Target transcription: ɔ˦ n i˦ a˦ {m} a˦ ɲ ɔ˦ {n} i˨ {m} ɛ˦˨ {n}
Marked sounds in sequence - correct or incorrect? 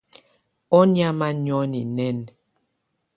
correct, correct, incorrect, correct

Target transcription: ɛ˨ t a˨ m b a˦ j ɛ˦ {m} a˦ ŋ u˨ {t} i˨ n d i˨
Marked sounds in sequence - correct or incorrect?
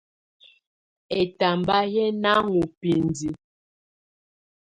incorrect, incorrect

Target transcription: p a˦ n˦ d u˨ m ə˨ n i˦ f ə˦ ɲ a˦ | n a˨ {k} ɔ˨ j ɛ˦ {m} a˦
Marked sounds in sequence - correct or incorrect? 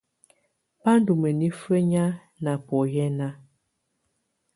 incorrect, incorrect

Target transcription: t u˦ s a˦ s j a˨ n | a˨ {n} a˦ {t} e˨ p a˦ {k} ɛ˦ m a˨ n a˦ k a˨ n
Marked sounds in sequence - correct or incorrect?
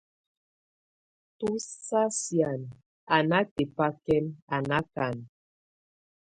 correct, correct, correct

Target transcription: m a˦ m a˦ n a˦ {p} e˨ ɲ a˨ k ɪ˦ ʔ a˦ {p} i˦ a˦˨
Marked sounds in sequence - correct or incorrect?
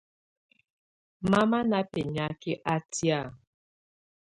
correct, incorrect

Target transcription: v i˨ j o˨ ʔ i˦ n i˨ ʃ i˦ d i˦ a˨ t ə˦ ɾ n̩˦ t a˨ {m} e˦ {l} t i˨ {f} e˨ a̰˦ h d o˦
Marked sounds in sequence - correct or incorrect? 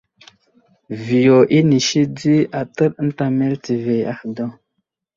correct, correct, incorrect

